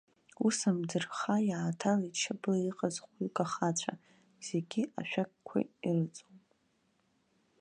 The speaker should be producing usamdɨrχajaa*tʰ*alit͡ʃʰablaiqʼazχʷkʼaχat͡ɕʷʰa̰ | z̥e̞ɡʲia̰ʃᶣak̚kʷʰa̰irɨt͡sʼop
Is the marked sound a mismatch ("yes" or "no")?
no